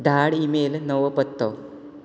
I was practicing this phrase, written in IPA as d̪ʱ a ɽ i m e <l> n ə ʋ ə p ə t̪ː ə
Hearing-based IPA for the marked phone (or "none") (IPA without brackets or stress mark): l